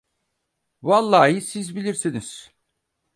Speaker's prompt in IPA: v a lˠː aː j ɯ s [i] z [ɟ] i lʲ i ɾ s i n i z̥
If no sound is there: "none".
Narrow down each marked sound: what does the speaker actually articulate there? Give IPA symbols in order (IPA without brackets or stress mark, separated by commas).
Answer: i, b